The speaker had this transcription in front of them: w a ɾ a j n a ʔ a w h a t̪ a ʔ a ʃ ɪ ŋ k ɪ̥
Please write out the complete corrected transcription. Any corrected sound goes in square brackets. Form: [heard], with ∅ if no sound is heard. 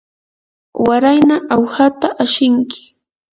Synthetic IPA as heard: w a ɾ a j n a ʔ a w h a t̪ a ʔ a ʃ ɪ ŋ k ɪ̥